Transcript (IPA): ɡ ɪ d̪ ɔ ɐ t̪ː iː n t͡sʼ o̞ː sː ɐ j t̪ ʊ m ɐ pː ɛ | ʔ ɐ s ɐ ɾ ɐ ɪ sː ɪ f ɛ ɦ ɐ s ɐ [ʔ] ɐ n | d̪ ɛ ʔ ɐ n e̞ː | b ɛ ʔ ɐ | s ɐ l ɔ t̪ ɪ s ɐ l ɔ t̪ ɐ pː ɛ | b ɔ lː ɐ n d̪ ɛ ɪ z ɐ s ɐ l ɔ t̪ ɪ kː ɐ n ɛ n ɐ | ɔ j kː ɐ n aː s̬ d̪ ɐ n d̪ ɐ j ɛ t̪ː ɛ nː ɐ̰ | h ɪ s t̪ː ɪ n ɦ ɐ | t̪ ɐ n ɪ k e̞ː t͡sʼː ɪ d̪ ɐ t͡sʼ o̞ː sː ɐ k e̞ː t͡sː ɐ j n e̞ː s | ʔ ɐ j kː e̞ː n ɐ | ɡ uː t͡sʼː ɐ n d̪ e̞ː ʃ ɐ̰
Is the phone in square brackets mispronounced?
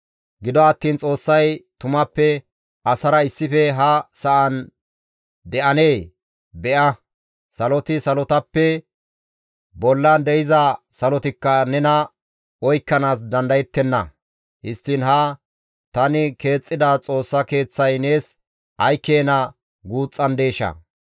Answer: no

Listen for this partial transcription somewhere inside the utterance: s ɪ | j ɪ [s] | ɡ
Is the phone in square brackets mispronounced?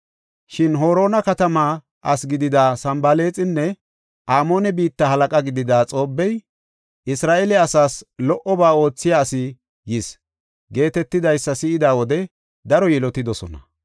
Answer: no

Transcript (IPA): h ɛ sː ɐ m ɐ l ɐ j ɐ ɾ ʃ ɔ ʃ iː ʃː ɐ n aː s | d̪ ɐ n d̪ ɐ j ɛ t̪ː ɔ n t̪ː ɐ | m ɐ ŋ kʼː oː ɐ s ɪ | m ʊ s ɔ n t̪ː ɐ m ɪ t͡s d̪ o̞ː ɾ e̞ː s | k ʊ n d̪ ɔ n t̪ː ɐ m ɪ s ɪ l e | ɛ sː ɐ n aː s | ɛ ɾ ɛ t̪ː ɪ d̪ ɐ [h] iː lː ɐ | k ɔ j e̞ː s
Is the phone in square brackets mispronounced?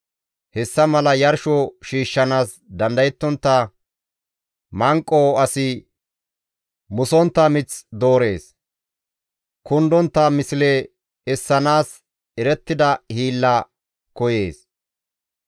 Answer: no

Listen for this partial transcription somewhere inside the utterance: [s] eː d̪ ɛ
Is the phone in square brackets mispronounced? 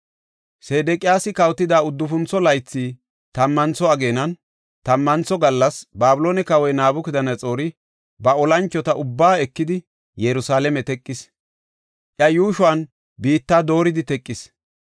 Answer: no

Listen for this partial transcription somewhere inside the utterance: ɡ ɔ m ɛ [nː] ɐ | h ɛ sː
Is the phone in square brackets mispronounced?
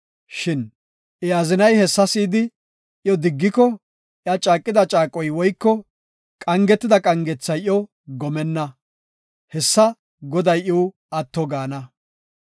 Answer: no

